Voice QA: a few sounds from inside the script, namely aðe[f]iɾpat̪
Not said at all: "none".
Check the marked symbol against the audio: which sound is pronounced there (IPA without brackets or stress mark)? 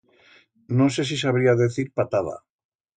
θ